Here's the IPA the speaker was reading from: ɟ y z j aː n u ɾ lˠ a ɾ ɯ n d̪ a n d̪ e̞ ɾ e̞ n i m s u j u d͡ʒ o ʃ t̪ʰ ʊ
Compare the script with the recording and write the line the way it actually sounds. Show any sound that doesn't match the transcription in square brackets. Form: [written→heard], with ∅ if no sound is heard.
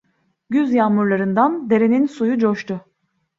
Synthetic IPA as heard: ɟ y z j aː [n→m] u ɾ lˠ a ɾ ɯ n d̪ a n d̪ e̞ ɾ e̞ n i [m→n] s u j u d͡ʒ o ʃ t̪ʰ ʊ